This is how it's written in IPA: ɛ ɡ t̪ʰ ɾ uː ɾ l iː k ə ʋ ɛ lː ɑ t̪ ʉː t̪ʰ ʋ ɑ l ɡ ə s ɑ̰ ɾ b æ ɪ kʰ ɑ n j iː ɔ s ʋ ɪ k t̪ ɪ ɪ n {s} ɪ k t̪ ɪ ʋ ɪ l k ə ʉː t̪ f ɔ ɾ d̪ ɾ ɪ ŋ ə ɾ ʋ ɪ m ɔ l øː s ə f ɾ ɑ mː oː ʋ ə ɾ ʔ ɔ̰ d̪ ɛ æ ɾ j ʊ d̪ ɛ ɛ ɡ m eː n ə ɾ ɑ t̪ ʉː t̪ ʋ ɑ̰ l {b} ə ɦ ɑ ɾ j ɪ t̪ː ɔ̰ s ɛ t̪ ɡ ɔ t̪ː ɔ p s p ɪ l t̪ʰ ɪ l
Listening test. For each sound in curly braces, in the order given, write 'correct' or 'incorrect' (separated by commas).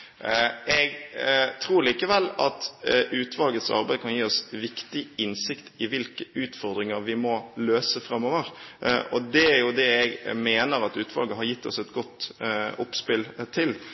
correct, incorrect